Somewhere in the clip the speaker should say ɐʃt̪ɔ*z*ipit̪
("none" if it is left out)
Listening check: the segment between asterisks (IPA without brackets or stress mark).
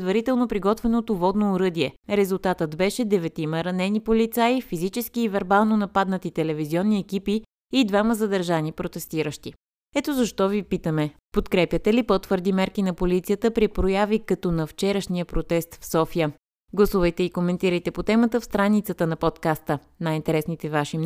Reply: v